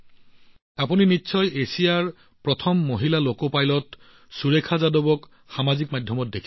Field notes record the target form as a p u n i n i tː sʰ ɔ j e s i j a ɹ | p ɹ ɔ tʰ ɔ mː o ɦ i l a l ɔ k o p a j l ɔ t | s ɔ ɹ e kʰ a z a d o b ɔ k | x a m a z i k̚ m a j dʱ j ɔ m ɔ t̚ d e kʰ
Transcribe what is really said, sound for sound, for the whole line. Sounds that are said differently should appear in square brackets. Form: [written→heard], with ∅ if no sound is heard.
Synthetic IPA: a p u n i n i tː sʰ ɔ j e s i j a ɹ | p ɹ ɔ tʰ ɔ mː o ɦ i l a l [ɔ→o] k o p a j l ɔ t | s [ɔ→u] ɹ e kʰ a z a d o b ɔ k | x a m a z i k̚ m a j dʱ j ɔ m ɔ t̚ d e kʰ

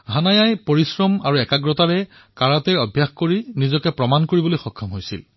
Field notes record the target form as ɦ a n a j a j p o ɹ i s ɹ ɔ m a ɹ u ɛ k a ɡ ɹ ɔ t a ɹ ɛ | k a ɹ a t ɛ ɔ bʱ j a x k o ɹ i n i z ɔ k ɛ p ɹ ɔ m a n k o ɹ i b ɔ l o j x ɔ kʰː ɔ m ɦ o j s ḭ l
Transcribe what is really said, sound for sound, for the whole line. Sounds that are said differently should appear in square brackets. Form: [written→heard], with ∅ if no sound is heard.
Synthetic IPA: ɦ a n a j a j p o ɹ i s ɹ ɔ m a ɹ u ɛ k a ɡ ɹ ɔ t a ɹ ɛ | k a ɹ a t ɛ ɔ bʱ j a x k o ɹ i n i z ɔ k ɛ p ɹ ɔ m a n k o ɹ i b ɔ l o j x ɔ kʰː ɔ m ɦ o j s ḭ l

